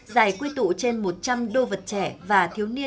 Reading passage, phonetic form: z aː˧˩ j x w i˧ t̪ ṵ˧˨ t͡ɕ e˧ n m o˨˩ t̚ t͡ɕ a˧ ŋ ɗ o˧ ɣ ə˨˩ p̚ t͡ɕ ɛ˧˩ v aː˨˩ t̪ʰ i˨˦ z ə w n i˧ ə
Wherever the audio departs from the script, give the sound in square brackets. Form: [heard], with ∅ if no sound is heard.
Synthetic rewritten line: z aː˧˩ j [k] w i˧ t̪ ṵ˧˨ t͡ɕ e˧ n m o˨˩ t̚ t͡ɕ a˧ [m] ɗ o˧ [v] ə˨˩ [t̚] t͡ɕ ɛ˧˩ v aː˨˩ t̪ʰ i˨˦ [∅] ə w n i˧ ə